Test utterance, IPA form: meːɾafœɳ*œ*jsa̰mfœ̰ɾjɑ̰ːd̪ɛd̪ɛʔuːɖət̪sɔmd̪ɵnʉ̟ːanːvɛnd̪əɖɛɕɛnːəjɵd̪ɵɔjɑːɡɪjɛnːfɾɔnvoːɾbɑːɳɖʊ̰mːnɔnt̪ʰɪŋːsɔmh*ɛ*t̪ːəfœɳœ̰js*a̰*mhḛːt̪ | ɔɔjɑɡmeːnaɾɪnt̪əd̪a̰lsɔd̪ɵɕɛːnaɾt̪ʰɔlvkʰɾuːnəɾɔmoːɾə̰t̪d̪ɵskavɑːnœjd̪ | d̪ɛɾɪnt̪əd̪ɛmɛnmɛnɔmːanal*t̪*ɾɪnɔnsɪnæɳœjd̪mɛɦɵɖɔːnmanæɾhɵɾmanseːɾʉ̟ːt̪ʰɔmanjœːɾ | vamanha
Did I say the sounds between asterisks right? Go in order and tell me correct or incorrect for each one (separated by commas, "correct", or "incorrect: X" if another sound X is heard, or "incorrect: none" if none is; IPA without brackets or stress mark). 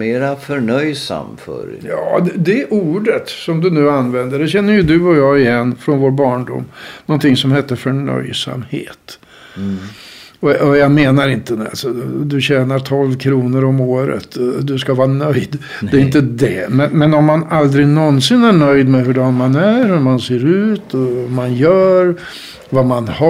correct, correct, correct, incorrect: d̪